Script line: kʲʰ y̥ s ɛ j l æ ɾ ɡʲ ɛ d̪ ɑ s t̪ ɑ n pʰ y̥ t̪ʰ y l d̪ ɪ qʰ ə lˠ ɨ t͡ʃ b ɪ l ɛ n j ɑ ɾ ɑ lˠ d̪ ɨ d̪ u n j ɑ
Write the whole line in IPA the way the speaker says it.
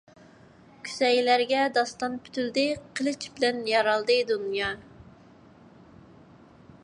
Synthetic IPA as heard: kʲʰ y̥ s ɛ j l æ ɾ ɡʲ ɛ d̪ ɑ s t̪ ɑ n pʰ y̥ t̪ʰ y l d̪ ɪ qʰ ə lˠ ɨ t͡ʃ b ɪ l ɛ n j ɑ ɾ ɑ lˠ d̪ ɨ d̪ u n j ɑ